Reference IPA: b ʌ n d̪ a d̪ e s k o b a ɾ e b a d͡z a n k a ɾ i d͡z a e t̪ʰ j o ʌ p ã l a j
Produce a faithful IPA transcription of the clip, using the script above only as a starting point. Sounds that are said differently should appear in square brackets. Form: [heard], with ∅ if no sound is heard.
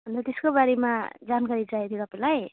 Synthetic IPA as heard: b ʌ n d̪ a [t̪] e s k o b a ɾ e [m] a d͡z a n k a ɾ i d͡z a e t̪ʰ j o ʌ p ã l a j

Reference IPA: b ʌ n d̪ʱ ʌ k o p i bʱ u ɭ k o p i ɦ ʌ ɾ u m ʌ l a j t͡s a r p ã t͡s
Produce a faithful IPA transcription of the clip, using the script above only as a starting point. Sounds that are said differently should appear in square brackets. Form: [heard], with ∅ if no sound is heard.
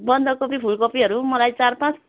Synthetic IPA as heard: b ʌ n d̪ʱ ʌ k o p i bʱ u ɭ k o p i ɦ ʌ ɾ u m ʌ l a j t͡s a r p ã t͡s

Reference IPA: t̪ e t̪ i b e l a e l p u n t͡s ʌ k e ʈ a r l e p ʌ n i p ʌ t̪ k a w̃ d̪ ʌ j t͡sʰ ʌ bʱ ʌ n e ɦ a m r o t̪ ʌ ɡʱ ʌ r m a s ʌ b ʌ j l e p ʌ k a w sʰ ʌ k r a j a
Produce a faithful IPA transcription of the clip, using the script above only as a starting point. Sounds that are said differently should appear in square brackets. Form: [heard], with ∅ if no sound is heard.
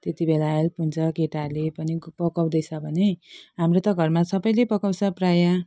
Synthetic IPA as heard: t̪ e t̪ i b e l a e l p u n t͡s ʌ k e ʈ a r l e p ʌ n i p ʌ [∅] k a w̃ d̪ ʌ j t͡sʰ ʌ bʱ ʌ n e ɦ a m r o t̪ ʌ ɡʱ ʌ r m a s ʌ b ʌ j l e p ʌ k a w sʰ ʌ [p] r a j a

